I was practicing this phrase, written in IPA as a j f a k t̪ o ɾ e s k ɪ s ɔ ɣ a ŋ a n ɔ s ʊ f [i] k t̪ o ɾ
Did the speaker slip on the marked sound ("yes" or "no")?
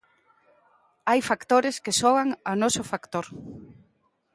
yes